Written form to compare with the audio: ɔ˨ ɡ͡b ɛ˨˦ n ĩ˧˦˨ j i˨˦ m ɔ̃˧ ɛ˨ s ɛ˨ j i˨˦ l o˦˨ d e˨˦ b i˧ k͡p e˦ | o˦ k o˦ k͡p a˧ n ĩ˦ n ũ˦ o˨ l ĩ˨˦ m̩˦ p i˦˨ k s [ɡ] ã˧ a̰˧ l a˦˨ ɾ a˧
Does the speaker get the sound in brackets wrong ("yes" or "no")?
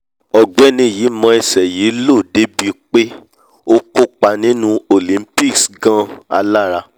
no